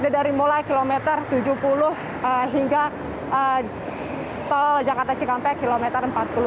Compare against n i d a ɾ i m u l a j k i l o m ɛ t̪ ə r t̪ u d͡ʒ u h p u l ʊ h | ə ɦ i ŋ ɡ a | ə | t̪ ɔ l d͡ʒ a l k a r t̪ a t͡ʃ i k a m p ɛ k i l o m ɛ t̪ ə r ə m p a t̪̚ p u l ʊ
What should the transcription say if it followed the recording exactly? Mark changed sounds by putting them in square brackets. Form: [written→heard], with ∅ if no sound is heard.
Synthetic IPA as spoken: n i d a ɾ i m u l a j k i l o m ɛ t̪ ə r t̪ u d͡ʒ u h p u l ʊ h | ə ɦ i ŋ ɡ a | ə | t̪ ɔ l d͡ʒ a [l→∅] k a r t̪ a t͡ʃ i k a m p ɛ k i l o m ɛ t̪ ə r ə m p a t̪̚ p u l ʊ